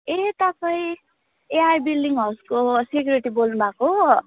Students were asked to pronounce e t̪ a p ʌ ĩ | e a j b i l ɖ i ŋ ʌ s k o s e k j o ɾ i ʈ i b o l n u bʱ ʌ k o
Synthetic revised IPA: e t̪ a p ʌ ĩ | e a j b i l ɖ i ŋ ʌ s k o s e k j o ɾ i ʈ i b o l n u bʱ a k o